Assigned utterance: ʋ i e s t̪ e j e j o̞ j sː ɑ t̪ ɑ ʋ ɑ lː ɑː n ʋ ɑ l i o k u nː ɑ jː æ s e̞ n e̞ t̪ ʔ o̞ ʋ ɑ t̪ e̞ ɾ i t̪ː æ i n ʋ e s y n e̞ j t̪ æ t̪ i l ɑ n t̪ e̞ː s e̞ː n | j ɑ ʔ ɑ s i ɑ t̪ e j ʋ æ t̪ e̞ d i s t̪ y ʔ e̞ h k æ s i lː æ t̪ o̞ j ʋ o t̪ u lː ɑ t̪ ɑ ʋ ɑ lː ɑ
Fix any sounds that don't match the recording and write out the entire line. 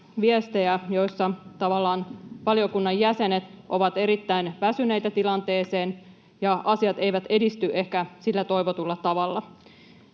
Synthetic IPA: ʋ i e s t̪ e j æ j o̞ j sː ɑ t̪ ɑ ʋ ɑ lː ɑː n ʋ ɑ l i o k u nː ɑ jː æ s e̞ n e̞ t̪ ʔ o̞ ʋ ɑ t̪ e̞ ɾ i t̪ː æ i n ʋ æ s y n e̞ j t̪ æ t̪ i l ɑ n t̪ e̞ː s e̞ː n | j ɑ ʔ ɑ s i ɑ t̪ e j ʋ æ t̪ e̞ d i s t̪ y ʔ e̞ h k æ s i lː æ t̪ o̞ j ʋ o t̪ u lː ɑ t̪ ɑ ʋ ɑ lː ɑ